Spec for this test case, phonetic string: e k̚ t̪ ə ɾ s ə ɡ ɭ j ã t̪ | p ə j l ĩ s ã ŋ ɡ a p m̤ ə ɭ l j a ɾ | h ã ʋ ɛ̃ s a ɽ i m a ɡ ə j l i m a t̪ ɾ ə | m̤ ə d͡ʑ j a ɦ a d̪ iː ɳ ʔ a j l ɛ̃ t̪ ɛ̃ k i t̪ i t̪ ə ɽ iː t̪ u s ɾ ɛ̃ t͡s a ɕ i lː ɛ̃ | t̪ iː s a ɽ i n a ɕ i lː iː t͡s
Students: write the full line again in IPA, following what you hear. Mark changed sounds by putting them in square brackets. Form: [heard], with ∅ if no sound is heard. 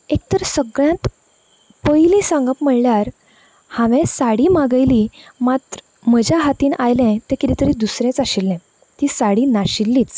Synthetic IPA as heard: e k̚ t̪ ə ɾ s ə ɡ ɭ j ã t̪ | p ə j l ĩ s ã ŋ ɡ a p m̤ ə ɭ l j a ɾ | h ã ʋ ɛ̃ s a ɽ i m a ɡ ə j l i m a t̪ ɾ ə | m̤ ə d͡ʑ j a ɦ a [t̪] iː [n] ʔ a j l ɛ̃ t̪ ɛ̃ k i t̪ i t̪ ə [ɾ] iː [d̪] u s ɾ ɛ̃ t͡s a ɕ i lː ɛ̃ | t̪ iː s a ɽ i n a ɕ i lː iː t͡s

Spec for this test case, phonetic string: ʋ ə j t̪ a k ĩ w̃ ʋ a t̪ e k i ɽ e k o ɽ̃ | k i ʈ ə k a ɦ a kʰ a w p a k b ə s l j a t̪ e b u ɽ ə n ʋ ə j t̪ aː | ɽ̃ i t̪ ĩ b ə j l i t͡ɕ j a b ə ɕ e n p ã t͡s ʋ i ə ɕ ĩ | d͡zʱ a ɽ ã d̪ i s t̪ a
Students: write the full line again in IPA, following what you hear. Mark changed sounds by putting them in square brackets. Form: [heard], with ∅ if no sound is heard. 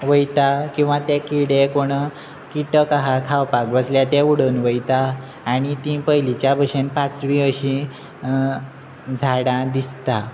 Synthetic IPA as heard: ʋ ə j t̪ a k ĩ w̃ ʋ a t̪ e k i ɽ e k o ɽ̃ | k i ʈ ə k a ɦ a kʰ a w p a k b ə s l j a t̪ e [∅] u ɽ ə n ʋ ə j t̪ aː | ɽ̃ i t̪ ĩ [p] ə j l i t͡ɕ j a b ə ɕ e n p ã t͡s ʋ i ə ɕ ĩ | d͡zʱ a ɽ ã d̪ i s t̪ a

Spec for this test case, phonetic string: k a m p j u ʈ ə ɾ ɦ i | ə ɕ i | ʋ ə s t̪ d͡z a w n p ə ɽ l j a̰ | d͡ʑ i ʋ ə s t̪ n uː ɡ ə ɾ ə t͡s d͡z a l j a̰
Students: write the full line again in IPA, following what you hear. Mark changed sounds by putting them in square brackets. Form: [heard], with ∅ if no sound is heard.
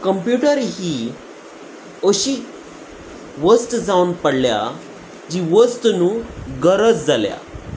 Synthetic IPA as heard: k [ə] m p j u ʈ ə ɾ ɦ i | ə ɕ i | ʋ ə s t̪ d͡z a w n p ə ɽ l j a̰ | d͡ʑ i ʋ ə s t̪ n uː ɡ ə ɾ ə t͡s d͡z a l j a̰

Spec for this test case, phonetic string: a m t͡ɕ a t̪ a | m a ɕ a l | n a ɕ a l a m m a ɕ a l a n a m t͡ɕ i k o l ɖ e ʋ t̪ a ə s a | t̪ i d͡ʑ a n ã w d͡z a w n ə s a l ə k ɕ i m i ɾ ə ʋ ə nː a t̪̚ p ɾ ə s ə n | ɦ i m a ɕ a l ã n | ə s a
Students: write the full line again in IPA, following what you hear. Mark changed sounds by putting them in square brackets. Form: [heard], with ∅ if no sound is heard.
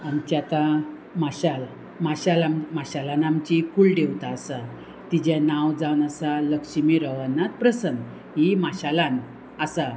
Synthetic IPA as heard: a m t͡ɕ a t̪ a | m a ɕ a l | [m] a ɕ a l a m m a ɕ a l a n a m t͡ɕ i k [u] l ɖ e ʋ t̪ a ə s a | t̪ i d͡ʑ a n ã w d͡z a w n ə s a l ə k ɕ i m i ɾ ə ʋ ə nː a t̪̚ p ɾ ə s ə n | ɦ i m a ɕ a l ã n | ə s a

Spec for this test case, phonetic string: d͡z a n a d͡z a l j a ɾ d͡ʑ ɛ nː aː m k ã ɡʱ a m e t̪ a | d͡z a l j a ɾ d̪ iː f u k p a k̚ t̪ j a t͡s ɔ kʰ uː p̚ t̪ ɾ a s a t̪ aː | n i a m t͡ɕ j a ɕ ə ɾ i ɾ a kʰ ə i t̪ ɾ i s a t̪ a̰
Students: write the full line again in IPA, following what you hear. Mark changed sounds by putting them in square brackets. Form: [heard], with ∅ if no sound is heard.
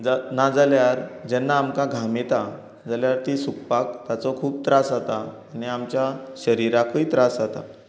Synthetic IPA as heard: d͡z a n a d͡z a l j a ɾ d͡ʑ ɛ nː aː m k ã ɡʱ a m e t̪ a | d͡z a l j a ɾ [t̪] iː [s] u k p a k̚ t̪ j a t͡s ɔ kʰ uː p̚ t̪ ɾ a s a t̪ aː | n i a m t͡ɕ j a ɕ ə ɾ i ɾ a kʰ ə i t̪ ɾ [a] s a t̪ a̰

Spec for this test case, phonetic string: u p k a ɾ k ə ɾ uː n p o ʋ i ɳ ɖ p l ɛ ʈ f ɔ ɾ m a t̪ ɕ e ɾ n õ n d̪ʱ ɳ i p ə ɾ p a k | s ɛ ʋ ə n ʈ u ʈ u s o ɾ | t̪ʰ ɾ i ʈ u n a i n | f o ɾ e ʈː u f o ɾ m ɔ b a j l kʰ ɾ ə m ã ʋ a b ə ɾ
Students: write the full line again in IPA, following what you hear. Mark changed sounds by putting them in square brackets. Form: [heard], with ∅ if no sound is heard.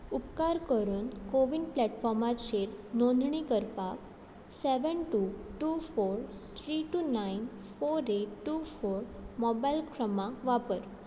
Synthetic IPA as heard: u p k a ɾ k ə ɾ uː n [k] o ʋ i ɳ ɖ p l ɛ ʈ f ɔ ɾ m a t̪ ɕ e ɾ n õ n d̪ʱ ɳ i [k] ə ɾ p a k | s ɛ ʋ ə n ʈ u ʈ u [f] o ɾ | t̪ʰ ɾ i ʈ u n a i n | f o ɾ e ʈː u f o ɾ m ɔ b a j l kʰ ɾ ə m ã ʋ a [p] ə ɾ

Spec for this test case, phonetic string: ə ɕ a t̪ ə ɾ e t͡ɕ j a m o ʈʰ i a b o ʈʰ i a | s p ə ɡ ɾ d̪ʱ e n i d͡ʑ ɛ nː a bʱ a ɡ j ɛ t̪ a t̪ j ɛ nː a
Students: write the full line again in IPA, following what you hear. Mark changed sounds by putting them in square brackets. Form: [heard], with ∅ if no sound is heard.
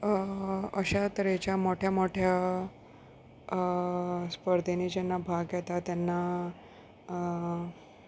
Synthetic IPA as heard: ə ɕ a t̪ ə ɾ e t͡ɕ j a m o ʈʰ [j] a [m] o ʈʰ [j] a | s p ə [∅] ɾ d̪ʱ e n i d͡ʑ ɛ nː a bʱ a ɡ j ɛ t̪ a t̪ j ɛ nː a

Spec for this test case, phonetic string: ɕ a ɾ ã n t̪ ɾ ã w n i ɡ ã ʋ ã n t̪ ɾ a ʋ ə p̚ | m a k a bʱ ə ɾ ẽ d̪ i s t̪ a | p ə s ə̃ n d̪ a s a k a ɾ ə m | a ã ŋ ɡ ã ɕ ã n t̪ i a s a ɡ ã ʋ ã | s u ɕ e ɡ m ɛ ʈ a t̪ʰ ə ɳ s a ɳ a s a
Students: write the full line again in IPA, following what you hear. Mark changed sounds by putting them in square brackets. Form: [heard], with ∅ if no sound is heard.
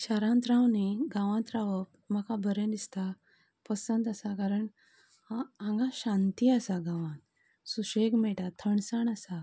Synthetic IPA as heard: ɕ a ɾ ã n t̪ ɾ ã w n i ɡ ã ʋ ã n t̪ ɾ a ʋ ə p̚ | m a k a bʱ ə ɾ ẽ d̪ i s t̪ a | p ə s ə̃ n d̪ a s a k a ɾ ə [ɳ] | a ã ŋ ɡ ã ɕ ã n t̪ i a s a ɡ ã ʋ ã | s u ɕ e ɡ m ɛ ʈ a t̪ʰ ə ɳ s a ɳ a s a

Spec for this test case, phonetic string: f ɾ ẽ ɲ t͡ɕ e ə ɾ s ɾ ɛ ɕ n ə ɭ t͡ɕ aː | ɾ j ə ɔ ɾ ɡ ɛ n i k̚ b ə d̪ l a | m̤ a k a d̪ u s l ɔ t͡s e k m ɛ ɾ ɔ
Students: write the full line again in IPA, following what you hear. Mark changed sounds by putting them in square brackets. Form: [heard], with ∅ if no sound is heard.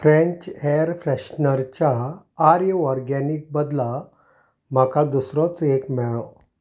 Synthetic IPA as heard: f ɾ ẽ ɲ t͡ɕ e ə ɾ [f] ɾ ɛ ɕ n ə [ɾ] t͡ɕ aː | ɾ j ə ɔ ɾ ɡ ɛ n i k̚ b ə d̪ l a | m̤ a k a d̪ u s [ɾ] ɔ t͡s e k m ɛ [ɭ] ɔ

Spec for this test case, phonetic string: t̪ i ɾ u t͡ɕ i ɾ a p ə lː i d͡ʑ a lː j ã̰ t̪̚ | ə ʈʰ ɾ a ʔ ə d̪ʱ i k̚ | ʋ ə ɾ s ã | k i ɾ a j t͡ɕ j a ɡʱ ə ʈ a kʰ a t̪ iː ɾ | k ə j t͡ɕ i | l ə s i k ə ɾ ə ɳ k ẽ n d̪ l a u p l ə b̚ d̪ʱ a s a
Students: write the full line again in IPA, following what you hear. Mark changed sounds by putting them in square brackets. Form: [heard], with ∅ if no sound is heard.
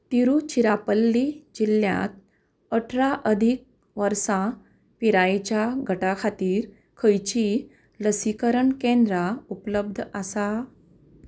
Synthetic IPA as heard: t̪ i ɾ u t͡ɕ i ɾ a p ə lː i d͡ʑ [i] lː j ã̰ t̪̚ | ə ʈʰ ɾ a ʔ ə d̪ʱ i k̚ | ʋ ə ɾ s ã | [p] i ɾ a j t͡ɕ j a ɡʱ ə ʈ a kʰ a t̪ iː ɾ | [kʰ] ə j t͡ɕ i | l ə s i k ə ɾ ə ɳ k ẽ n d̪ [ɾ] a u p l ə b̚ d̪ʱ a s a

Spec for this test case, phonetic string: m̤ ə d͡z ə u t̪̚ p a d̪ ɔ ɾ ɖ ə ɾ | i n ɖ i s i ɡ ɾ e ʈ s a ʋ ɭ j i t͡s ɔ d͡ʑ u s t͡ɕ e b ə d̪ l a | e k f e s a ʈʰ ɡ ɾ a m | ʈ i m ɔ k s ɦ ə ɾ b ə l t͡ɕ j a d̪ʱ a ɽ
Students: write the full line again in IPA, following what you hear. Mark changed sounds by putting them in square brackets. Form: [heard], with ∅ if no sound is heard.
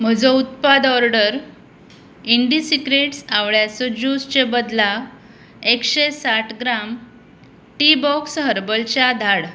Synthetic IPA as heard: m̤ ə d͡z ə u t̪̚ p a d̪ ɔ ɾ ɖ ə ɾ | i [ɳ] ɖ i s i [k] ɾ e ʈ s a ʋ ɭ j [a] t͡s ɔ d͡ʑ u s t͡ɕ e b ə d̪ l a | e k [ɕ] e s a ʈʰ ɡ ɾ a m | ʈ i [b] ɔ k s ɦ ə ɾ b ə l t͡ɕ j a d̪ʱ a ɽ

